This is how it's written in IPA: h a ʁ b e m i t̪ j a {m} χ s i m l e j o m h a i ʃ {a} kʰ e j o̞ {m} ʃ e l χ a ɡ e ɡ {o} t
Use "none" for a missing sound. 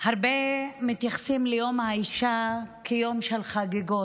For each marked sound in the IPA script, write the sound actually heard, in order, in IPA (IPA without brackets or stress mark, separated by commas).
none, a, m, o